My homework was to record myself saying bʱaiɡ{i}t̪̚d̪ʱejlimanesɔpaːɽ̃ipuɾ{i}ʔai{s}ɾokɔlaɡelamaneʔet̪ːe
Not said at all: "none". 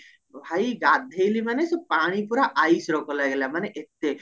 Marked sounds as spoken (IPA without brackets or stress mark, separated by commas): a, a, s